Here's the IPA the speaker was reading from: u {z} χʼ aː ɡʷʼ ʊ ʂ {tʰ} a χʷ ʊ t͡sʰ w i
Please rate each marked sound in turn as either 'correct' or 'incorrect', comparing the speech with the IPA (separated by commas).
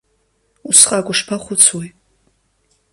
incorrect, incorrect